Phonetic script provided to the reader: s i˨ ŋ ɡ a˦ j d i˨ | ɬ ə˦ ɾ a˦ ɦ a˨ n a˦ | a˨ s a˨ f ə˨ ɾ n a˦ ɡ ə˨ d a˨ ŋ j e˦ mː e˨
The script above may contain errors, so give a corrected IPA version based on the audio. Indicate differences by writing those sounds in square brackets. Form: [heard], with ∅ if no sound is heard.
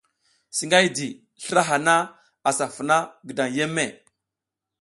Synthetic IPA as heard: s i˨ ŋ ɡ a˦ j d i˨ | ɬ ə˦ ɾ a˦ ɦ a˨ n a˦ | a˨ s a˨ f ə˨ [∅] n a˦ ɡ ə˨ d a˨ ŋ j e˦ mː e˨

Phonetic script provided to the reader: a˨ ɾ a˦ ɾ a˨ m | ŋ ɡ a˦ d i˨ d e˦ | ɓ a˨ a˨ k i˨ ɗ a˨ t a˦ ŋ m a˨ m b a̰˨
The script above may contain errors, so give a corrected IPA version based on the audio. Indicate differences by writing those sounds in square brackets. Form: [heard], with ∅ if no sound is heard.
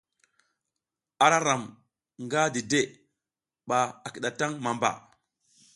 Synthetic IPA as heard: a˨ ɾ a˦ ɾ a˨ m | ŋ ɡ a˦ d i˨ d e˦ | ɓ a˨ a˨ k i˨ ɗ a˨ t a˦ ŋ m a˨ m b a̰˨

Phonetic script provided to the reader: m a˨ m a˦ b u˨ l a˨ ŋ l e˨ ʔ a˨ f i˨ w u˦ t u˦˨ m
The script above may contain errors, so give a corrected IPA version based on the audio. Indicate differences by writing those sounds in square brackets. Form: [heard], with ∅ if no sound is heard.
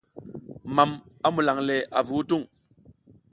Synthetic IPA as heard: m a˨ m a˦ [m] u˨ l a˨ ŋ l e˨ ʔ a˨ [v] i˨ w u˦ t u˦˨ [ŋ]

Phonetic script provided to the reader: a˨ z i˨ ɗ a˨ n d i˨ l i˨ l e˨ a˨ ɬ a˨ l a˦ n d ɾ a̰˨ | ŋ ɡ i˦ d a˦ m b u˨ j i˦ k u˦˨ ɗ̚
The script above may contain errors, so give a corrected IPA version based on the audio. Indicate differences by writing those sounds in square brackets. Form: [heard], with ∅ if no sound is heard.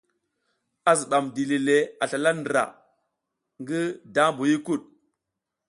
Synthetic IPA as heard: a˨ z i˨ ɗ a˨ [m] d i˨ l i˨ l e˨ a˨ ɬ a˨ l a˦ n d ɾ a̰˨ | ŋ ɡ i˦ d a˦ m b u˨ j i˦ k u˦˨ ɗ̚

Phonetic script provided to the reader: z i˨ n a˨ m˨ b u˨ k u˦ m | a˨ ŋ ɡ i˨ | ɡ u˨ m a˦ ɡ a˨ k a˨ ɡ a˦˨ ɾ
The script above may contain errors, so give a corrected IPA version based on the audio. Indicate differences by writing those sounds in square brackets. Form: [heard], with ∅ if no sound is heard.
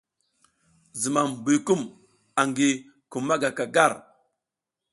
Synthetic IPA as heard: z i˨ [m] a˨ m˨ b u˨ k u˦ m | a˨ ŋ ɡ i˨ | [k] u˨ m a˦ ɡ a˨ k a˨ ɡ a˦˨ ɾ

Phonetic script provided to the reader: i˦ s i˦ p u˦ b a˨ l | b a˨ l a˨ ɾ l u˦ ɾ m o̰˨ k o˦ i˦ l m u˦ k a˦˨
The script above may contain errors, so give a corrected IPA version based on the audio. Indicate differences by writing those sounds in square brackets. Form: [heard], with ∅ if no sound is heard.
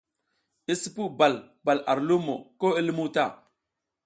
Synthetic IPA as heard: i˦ s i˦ p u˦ b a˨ l | b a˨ l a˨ ɾ l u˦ [∅] m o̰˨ k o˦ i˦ l m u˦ [t] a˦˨

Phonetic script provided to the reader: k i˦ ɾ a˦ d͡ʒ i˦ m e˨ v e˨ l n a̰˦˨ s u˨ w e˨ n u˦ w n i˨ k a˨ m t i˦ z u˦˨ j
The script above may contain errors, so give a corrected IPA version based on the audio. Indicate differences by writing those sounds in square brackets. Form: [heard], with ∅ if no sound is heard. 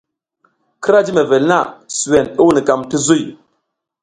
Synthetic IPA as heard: k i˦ ɾ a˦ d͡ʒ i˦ m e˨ v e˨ l n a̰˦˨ s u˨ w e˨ n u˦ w n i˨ k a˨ m t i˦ z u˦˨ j

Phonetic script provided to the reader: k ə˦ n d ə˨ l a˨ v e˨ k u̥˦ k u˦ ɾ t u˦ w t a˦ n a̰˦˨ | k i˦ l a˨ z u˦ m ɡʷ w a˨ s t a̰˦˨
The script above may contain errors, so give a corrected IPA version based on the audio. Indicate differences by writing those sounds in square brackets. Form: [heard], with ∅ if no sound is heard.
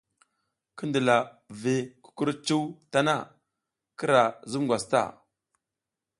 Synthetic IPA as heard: k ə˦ n d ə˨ l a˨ v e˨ k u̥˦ k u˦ ɾ [t͡ʃ] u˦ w t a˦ n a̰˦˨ | k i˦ [ɾ] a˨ z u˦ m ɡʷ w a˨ s t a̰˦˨

